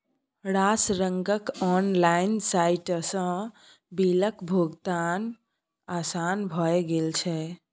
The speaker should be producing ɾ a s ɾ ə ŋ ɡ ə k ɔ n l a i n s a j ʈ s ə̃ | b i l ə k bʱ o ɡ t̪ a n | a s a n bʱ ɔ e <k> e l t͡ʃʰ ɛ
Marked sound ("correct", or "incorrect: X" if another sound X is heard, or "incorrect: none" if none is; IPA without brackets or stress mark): incorrect: ɡ